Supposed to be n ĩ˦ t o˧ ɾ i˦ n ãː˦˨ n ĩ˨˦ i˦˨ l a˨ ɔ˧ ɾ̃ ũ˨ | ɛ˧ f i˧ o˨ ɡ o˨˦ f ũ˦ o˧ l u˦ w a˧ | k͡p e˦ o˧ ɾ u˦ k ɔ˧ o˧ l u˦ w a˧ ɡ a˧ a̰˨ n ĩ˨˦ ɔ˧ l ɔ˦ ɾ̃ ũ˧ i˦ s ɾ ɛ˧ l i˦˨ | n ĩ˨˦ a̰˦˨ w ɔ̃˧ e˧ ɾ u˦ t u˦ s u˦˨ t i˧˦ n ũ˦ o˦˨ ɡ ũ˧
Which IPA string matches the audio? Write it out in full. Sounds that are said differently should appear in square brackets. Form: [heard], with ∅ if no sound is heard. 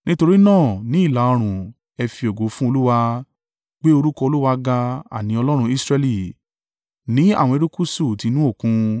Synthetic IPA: n ĩ˦ t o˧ ɾ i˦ n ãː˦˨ n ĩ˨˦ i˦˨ l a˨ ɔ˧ ɾ̃ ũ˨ | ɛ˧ f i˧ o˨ ɡ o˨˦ f ũ˦ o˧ l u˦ w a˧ | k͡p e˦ o˧ ɾ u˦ k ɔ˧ o˧ l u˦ w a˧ ɡ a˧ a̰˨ n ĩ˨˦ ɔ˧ l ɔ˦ ɾ̃ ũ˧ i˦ s ɾ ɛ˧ l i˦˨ | n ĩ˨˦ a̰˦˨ w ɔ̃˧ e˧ ɾ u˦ [k] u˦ s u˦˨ t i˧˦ n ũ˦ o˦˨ [k] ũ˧